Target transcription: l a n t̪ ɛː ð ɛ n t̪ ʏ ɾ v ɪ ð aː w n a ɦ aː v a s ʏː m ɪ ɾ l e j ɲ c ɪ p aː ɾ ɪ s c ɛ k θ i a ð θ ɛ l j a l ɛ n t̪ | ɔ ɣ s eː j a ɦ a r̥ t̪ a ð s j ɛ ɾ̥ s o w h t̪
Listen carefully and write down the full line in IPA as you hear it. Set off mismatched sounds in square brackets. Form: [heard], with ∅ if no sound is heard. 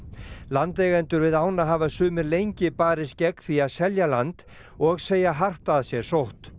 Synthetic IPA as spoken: l a n t̪ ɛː [ɣ] ɛ n t̪ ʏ ɾ v ɪ ð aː w n a ɦ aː v a s ʏː m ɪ ɾ l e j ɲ c ɪ p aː ɾ ɪ s c ɛ k θ i a ð [s] ɛ l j a l [a] n t̪ | ɔ ɣ s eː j a ɦ a r̥ t̪ a ð s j ɛ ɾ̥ s o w h t̪